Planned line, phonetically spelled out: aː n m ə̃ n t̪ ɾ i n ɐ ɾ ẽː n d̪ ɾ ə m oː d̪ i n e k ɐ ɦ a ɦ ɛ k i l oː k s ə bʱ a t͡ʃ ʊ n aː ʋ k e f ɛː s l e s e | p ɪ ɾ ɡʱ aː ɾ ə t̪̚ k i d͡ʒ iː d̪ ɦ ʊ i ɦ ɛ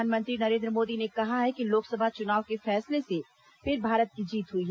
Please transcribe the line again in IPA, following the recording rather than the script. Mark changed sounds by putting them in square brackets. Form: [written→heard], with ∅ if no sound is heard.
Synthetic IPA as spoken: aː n m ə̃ n t̪ ɾ i n ɐ ɾ ẽː n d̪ ɾ ə m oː d̪ i n e k ɐ ɦ a ɦ ɛ k i l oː k s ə bʱ a t͡ʃ ʊ n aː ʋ k e f ɛː s l e s e | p ɪ ɾ [ɡʱ→bʱ] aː ɾ ə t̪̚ k i d͡ʒ iː [d̪→t̪] ɦ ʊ i ɦ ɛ